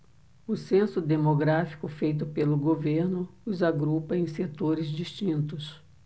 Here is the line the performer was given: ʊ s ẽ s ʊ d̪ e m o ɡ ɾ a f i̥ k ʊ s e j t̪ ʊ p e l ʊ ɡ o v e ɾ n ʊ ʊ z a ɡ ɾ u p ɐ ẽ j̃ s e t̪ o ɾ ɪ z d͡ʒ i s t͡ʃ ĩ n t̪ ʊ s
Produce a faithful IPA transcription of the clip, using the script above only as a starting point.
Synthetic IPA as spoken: ʊ s ẽ s ʊ d̪ e m o ɡ ɾ a f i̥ k ʊ f e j t̪ ʊ p e l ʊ ɡ o v e ɾ n ʊ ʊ z a ɡ ɾ u p ɐ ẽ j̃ s e t̪ o ɾ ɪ z d͡ʒ i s t͡ʃ ĩ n t̪ ʊ s